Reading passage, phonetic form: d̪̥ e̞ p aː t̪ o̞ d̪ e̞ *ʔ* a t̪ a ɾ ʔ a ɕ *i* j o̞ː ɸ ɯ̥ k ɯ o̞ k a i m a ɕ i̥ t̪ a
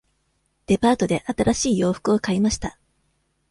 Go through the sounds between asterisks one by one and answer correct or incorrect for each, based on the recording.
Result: correct, incorrect: iː

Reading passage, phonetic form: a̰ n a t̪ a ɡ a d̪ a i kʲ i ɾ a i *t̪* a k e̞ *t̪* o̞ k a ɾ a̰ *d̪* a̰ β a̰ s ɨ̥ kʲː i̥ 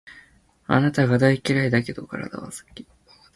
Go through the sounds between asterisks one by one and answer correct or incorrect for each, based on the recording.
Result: incorrect: d̪, incorrect: d̪, correct

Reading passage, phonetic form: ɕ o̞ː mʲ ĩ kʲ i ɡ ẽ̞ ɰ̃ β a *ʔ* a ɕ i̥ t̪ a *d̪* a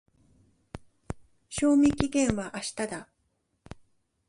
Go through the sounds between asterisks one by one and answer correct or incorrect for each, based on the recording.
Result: correct, correct

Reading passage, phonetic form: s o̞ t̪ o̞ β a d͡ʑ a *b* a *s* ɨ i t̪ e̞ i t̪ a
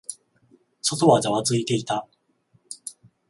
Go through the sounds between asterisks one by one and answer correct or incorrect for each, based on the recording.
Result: incorrect: β, incorrect: t͡s

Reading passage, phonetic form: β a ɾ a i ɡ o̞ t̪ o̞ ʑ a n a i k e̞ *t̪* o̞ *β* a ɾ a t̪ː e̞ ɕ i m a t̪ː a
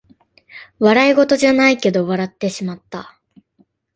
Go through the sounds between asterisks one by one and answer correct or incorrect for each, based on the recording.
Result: incorrect: d̪, correct

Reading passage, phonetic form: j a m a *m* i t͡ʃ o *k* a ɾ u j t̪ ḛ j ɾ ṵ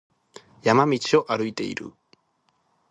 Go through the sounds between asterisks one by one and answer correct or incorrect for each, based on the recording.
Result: correct, incorrect: ʔ

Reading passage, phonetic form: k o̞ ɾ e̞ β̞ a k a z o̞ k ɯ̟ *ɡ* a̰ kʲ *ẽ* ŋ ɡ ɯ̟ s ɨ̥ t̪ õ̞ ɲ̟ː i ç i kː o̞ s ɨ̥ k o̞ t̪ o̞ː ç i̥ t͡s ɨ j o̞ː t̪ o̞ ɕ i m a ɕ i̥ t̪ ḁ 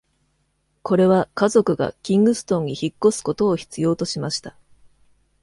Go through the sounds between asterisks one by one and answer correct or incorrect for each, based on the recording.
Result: correct, incorrect: ĩ

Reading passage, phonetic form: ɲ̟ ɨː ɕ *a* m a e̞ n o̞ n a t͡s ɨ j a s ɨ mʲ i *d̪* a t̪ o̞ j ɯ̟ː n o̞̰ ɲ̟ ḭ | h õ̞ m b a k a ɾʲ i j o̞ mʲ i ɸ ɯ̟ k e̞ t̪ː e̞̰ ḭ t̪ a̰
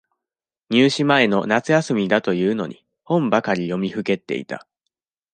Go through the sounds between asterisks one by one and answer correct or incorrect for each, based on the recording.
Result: incorrect: i, correct

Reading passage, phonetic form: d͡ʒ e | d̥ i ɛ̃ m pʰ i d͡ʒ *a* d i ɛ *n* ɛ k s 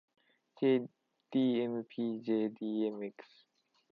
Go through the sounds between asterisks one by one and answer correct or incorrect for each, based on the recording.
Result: incorrect: e, incorrect: m

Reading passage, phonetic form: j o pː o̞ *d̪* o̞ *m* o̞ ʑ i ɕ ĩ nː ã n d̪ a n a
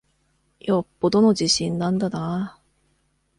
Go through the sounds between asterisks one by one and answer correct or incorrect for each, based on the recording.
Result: correct, incorrect: n

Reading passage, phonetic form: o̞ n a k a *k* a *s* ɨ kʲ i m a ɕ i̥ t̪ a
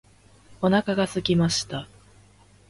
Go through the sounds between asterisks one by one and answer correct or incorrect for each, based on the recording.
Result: incorrect: ɡ, correct

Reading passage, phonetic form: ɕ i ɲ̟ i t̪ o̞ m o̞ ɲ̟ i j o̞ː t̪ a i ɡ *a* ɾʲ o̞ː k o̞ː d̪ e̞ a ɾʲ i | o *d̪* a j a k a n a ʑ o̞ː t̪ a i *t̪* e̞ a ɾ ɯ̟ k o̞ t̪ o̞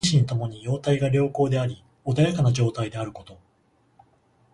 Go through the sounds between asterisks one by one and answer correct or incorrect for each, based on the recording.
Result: correct, correct, incorrect: d̪

